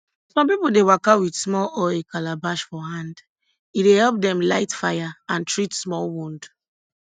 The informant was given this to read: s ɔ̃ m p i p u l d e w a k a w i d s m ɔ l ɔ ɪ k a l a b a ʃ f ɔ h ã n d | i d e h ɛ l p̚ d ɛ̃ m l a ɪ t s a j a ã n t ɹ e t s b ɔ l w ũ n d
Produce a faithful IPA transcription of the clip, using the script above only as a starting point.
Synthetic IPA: s ɔ̃ m p i p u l d e w a k a w i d s m ɔ l ɔ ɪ k a l a b a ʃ f ɔ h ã n d | i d e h ɛ l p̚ d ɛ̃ m l a ɪ t f a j a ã n t ɹ i t s m ɔ l w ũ n d